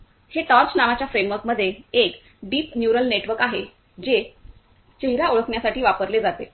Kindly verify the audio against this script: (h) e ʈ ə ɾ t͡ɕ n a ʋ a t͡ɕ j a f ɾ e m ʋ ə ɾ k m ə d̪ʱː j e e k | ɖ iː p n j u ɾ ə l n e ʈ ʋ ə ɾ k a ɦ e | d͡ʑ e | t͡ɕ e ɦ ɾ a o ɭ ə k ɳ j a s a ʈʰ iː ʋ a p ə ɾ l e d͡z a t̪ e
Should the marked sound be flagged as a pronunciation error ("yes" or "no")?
no